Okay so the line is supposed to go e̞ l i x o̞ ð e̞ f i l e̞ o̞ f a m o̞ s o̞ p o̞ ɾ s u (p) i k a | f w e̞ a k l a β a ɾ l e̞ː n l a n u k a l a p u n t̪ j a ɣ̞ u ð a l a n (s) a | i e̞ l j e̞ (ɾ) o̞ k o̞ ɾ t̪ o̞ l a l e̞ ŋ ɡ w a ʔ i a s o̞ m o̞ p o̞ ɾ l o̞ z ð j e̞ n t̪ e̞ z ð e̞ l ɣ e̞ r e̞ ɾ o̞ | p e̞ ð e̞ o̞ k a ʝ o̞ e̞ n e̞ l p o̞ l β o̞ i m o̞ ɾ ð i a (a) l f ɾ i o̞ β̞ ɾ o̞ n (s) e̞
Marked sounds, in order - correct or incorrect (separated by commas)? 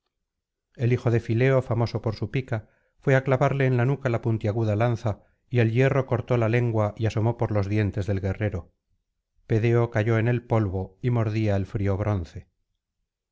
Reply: correct, incorrect, incorrect, incorrect, incorrect